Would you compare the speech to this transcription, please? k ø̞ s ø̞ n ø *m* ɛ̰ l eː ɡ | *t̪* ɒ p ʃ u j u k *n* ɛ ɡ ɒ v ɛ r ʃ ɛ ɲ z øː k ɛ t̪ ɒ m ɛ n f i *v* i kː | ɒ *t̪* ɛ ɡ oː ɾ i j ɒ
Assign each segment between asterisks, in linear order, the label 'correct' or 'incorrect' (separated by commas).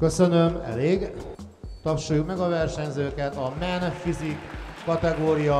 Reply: correct, correct, incorrect, incorrect, correct